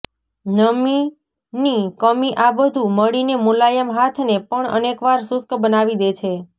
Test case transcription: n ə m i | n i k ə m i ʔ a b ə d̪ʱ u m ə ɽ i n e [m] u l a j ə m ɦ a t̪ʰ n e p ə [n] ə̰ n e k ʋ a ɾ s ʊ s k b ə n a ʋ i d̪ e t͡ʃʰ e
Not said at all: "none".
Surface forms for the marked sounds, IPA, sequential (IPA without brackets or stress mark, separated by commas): m, ɳ